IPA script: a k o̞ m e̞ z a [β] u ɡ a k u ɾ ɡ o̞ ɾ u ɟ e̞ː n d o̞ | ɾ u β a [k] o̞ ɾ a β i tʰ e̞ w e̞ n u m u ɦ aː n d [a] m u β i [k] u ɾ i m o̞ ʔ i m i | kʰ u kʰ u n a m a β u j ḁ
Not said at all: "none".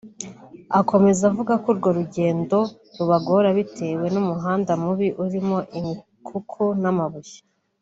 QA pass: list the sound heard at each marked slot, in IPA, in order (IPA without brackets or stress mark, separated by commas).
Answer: v, ɡ, a, ʔ